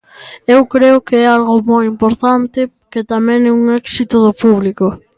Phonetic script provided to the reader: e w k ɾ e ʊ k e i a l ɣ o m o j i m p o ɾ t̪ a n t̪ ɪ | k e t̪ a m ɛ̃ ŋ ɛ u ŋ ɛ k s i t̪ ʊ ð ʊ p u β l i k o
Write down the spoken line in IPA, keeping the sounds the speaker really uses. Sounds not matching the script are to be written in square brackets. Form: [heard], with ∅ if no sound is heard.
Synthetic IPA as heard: e w k ɾ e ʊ k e [ɛ] a l ɣ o m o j i m p o ɾ t̪ a n t̪ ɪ | k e t̪ a m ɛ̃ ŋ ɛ u ŋ ɛ k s i t̪ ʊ ð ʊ p u β l i k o